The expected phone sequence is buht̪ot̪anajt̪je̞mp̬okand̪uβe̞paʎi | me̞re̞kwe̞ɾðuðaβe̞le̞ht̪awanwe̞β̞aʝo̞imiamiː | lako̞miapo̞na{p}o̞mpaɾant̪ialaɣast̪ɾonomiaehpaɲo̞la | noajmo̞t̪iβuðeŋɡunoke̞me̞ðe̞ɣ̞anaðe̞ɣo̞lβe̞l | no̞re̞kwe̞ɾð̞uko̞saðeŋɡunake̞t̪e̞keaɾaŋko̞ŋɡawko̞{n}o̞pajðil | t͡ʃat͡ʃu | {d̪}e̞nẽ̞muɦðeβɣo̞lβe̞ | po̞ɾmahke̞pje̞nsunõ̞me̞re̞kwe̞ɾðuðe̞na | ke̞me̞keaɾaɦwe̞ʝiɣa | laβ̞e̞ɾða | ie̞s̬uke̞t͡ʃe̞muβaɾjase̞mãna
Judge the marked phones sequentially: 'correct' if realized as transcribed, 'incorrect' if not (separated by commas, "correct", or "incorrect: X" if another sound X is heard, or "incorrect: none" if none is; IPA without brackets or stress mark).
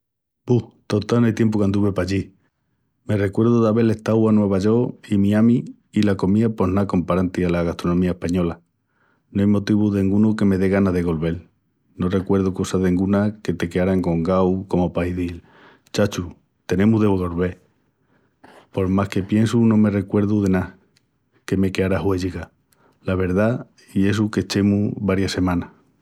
incorrect: k, incorrect: m, incorrect: t̪